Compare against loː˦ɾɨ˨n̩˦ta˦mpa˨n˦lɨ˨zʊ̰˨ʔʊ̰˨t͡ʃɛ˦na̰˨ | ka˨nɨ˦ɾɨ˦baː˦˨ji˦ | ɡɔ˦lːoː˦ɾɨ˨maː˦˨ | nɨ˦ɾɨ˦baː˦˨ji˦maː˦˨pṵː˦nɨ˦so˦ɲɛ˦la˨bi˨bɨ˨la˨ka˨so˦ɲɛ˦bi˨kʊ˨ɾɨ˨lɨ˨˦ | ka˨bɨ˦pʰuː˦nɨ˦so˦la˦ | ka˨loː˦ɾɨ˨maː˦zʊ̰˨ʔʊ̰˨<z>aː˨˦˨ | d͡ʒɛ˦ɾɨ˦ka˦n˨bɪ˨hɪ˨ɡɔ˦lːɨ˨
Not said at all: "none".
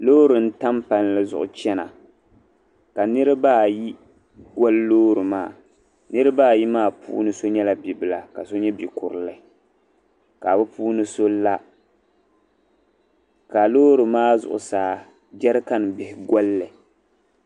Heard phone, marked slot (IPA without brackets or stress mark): s